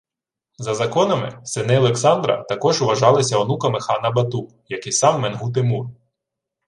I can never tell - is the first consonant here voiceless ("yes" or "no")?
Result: no